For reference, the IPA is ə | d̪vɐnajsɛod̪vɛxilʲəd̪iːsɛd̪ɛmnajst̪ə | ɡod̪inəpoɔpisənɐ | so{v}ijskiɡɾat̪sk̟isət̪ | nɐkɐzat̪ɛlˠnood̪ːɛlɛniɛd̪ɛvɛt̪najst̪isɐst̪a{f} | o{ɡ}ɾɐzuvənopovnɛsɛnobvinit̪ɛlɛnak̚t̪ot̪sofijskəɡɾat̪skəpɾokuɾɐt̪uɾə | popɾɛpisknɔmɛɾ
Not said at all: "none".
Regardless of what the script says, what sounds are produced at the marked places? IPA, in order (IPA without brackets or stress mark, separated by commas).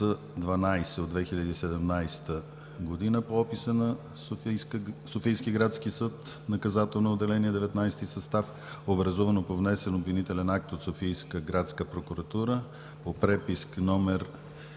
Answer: f, f, b